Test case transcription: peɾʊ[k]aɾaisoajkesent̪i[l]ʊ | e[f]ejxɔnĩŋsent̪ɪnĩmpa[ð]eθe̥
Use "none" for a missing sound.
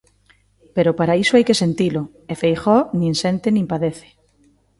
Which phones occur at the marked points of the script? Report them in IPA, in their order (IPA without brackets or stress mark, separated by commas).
p, l, f, ð